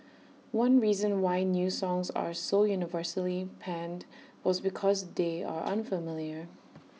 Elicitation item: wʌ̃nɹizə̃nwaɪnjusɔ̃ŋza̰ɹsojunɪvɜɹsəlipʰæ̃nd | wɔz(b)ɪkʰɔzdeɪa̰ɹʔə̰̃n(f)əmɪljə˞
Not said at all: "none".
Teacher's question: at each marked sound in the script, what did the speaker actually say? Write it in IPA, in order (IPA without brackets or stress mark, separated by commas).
b, f